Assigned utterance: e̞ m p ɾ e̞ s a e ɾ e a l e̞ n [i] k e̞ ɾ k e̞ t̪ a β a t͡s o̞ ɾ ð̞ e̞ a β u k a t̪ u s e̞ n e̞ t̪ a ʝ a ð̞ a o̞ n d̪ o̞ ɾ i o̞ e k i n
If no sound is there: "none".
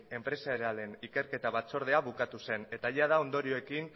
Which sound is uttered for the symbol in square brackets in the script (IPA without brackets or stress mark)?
i